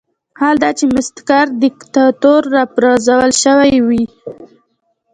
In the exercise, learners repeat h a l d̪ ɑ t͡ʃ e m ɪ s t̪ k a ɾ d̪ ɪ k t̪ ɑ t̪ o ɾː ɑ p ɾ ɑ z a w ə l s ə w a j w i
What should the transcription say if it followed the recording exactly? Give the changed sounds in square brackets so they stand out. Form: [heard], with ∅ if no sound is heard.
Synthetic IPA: h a l d̪ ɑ t͡ʃ e m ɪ s t̪ k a ɾ d̪ ɪ k t̪ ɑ t̪ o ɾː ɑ p ɾ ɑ z a w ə l [ʃ] ə w a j w i